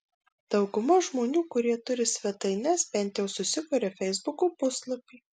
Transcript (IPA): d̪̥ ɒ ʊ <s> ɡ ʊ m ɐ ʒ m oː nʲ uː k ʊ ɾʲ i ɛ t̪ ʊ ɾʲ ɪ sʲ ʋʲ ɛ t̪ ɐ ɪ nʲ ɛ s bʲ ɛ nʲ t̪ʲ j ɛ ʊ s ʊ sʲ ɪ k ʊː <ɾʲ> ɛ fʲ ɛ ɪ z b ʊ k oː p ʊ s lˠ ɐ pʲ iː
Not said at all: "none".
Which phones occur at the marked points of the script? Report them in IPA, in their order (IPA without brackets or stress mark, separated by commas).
none, ɾʲ